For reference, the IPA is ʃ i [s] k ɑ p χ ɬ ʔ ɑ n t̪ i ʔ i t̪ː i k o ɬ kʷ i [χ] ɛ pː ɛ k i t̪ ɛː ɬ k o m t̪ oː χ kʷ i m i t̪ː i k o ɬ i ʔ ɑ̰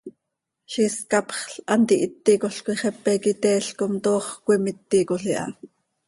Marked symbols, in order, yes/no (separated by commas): yes, yes